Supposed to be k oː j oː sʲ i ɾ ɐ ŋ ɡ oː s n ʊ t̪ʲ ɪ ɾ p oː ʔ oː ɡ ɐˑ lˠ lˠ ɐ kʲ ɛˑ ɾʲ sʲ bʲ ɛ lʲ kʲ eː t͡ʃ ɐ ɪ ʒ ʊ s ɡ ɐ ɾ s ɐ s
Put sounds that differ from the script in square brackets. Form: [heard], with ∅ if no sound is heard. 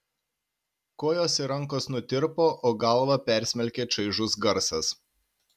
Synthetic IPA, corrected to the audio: k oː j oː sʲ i ɾ ɐ ŋ [k] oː s n ʊ t̪ʲ ɪ ɾ p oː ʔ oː ɡ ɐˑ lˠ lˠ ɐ [pʲ] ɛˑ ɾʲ sʲ [mʲ] ɛ lʲ kʲ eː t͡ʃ ɐ ɪ ʒ ʊ s ɡ ɐ ɾ s ɐ s